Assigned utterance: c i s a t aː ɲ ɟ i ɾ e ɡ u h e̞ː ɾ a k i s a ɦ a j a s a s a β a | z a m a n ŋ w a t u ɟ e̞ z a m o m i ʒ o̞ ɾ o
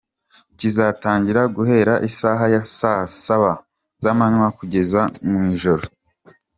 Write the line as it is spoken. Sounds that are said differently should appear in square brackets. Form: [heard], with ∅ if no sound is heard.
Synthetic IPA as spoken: c i [z] a t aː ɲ ɟ i ɾ [a] ɡ u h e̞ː ɾ a [ʔ] i s a ɦ a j a s a s a β a | z a m a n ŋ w a [k] u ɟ e̞ z a m [u] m i ʒ o̞ ɾ o